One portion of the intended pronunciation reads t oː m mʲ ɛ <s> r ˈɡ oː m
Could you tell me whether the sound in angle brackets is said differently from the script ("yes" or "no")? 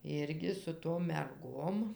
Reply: yes